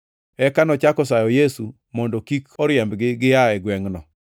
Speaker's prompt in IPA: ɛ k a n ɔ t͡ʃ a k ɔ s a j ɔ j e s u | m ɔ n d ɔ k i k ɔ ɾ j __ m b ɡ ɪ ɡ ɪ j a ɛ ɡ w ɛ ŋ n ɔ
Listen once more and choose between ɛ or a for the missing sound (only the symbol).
ɛ